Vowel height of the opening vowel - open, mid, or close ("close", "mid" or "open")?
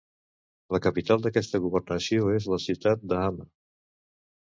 mid